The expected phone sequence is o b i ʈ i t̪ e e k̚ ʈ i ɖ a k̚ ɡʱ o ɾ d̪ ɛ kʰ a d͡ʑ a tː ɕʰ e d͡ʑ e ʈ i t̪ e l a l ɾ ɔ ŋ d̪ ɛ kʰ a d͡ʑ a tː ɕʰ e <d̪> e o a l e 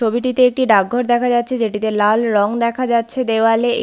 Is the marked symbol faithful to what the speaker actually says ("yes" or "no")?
yes